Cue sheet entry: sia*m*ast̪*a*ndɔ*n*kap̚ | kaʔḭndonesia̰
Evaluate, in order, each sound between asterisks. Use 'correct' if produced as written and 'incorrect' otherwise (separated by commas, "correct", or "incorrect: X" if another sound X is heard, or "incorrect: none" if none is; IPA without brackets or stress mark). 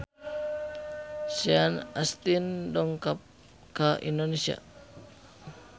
incorrect: n, incorrect: i, incorrect: ŋ